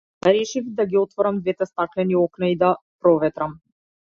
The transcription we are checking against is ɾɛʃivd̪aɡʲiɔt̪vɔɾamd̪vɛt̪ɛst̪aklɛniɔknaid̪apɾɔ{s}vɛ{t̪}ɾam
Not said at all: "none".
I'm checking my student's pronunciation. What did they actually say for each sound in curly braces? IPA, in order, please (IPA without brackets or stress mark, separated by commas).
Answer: none, t̪